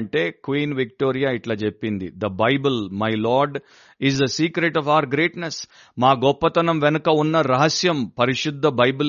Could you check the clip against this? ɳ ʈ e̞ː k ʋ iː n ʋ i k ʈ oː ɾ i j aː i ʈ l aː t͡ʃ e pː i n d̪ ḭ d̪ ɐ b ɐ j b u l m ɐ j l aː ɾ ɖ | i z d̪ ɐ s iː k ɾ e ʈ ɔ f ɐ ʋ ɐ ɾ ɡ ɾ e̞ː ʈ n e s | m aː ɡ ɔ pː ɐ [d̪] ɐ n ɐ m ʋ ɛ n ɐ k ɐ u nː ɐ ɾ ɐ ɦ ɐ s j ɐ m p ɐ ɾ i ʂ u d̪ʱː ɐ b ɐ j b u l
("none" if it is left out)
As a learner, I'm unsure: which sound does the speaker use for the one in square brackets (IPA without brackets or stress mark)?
t̪